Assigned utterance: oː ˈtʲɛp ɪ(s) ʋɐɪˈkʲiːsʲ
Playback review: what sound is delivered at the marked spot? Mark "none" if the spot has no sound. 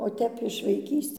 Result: ʃ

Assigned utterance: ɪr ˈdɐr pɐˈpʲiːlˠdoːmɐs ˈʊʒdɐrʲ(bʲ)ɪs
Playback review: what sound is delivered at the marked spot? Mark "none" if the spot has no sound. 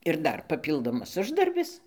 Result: bʲ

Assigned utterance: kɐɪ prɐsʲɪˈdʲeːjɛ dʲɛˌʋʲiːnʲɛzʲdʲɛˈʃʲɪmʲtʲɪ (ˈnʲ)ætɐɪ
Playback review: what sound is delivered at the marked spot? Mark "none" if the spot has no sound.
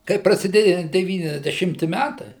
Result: mʲ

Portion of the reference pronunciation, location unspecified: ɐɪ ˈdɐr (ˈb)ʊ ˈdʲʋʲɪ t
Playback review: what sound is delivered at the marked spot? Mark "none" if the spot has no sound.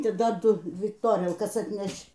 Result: d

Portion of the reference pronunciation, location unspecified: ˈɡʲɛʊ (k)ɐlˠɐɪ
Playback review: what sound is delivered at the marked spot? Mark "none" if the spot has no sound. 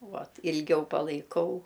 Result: p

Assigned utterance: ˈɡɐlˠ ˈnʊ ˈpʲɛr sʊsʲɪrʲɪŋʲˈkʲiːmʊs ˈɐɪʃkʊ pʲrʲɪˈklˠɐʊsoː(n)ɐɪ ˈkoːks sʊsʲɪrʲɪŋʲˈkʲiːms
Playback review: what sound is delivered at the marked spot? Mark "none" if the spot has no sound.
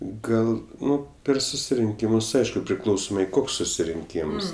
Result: m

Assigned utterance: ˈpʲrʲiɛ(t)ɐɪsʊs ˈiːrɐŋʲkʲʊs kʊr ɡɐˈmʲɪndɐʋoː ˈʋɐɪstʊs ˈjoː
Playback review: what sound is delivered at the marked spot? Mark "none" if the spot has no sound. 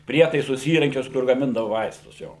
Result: t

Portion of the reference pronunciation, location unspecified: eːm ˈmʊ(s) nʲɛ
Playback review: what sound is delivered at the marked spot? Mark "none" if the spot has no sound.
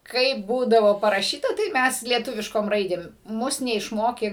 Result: s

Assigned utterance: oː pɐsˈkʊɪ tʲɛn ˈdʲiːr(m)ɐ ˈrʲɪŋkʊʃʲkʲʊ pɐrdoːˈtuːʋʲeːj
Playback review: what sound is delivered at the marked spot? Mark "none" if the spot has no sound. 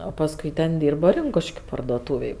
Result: b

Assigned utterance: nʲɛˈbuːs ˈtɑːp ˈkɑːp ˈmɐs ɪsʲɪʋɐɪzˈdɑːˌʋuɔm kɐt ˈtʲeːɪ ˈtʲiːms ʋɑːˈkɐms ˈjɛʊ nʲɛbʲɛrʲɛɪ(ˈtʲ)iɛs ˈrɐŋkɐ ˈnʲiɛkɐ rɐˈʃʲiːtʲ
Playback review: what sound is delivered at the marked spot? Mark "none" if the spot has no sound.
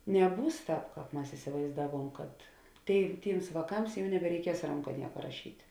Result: kʲ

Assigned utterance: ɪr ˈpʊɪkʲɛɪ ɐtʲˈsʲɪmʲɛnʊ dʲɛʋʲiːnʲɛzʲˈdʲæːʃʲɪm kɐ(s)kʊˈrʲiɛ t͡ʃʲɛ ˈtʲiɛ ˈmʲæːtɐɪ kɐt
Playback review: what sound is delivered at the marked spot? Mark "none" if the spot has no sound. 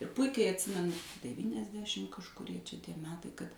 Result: ʃ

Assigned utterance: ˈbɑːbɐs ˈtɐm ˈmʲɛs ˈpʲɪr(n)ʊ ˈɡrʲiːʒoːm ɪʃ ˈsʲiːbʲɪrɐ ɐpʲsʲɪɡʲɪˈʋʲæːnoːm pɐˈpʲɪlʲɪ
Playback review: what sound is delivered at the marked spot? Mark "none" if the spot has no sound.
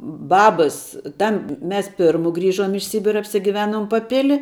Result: m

